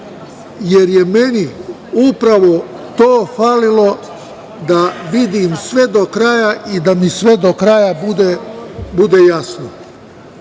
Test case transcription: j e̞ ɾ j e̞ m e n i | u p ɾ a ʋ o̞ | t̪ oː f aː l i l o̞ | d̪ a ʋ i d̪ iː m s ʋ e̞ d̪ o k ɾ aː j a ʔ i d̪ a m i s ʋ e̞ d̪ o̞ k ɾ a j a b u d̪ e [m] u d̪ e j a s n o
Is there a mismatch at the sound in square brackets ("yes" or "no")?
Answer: yes